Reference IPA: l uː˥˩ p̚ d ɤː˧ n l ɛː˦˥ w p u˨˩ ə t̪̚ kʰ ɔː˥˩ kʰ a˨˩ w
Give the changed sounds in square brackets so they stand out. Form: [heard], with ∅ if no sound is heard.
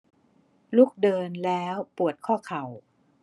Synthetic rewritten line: l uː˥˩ [k̚] d ɤː˧ n l ɛː˦˥ w p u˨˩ ə t̪̚ kʰ ɔː˥˩ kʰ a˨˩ w